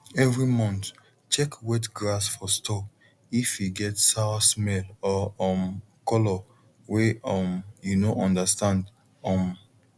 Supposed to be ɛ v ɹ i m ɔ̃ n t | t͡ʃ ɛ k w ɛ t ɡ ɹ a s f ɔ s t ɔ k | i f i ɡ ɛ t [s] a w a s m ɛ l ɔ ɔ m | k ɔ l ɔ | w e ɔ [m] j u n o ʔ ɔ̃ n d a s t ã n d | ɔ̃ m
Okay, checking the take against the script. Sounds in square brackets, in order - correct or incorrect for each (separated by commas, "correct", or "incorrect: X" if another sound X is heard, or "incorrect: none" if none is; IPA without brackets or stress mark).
correct, correct